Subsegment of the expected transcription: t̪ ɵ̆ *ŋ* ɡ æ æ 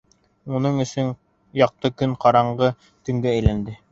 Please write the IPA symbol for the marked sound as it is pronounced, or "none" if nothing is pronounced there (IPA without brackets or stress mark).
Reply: ŋ